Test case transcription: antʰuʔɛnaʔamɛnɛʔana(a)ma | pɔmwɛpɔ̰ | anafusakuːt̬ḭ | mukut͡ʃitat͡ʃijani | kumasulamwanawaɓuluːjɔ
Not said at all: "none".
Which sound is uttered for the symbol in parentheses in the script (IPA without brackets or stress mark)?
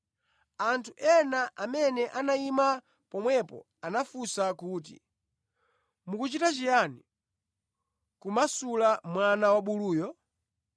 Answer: i